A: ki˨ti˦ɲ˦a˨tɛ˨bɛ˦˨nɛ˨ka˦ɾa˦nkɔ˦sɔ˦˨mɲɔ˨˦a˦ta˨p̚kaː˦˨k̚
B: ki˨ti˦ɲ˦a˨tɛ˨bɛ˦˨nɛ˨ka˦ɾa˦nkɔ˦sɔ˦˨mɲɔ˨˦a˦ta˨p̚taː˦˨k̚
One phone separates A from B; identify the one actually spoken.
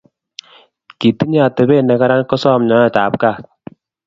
A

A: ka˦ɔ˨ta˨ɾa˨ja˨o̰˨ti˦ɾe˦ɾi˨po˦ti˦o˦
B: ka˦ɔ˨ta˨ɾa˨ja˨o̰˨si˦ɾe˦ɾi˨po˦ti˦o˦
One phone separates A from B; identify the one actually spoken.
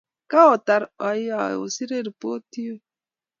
B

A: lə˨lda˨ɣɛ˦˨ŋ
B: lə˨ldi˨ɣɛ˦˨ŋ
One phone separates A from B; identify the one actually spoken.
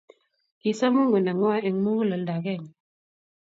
A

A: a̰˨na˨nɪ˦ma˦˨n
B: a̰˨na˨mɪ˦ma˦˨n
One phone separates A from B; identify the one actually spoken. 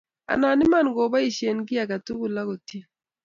A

